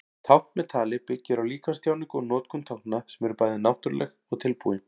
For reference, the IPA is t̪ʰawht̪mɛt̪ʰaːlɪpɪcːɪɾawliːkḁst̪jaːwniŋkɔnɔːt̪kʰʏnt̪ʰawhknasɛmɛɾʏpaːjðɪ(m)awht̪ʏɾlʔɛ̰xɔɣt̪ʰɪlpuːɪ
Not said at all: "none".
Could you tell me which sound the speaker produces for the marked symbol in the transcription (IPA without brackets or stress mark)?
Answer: n